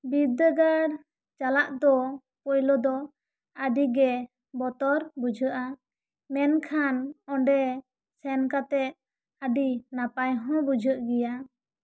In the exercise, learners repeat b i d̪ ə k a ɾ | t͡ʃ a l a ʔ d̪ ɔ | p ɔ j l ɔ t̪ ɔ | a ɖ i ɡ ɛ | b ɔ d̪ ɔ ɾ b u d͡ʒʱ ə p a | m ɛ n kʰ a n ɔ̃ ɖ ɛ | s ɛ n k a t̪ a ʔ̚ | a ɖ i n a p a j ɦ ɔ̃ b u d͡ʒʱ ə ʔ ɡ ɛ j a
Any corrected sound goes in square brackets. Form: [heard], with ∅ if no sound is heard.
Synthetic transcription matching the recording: b i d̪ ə [ɡ] a ɾ | t͡ʃ a l a ʔ d̪ ɔ | p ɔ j l ɔ [d̪] ɔ | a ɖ i ɡ ɛ | b ɔ [t̪] ɔ ɾ b u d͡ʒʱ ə [ʔ] a | m ɛ n kʰ a n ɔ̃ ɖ ɛ | s ɛ n k a t̪ [ɛ] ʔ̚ | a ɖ i n a p a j ɦ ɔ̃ b u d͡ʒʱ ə ʔ ɡ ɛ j a